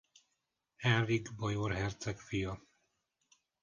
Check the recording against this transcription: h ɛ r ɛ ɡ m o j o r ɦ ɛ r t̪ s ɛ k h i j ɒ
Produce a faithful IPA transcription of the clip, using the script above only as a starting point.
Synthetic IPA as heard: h ɛ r i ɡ b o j o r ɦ ɛ r t̪ s ɛ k f i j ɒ